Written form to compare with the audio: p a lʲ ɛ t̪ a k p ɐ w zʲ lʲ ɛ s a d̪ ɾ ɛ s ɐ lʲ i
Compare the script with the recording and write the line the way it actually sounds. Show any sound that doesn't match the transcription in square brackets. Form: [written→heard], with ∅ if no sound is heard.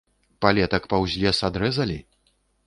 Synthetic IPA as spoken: p a lʲ ɛ t̪ [a→ɐ] k p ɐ w zʲ lʲ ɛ s a d̪ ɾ ɛ [s→z] ɐ lʲ i